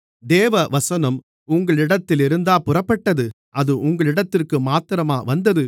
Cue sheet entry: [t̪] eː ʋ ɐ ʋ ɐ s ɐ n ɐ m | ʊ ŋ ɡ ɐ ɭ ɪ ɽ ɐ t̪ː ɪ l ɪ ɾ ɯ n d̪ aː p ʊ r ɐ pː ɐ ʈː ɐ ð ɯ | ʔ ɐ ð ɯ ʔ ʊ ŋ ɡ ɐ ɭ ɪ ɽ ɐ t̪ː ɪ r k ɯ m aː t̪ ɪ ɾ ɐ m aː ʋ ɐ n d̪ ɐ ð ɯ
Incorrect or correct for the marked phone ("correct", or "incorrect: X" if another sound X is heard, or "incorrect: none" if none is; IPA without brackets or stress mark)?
incorrect: d̪